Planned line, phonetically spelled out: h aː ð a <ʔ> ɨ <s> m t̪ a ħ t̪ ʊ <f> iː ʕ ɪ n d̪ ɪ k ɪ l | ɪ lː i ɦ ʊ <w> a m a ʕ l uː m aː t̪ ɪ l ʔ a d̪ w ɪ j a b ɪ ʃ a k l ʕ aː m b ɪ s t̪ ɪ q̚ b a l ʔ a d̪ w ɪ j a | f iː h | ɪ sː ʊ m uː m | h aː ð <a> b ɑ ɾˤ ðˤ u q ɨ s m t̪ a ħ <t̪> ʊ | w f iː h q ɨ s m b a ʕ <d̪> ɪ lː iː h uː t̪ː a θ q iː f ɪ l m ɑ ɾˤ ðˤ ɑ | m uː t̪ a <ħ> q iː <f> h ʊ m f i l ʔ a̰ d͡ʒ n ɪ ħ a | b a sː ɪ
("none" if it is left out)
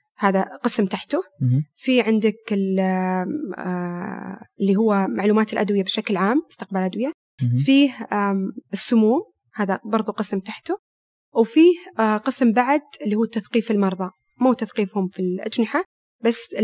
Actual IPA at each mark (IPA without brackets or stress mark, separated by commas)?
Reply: q, s, f, wː, a, t̪, d̪, θ, f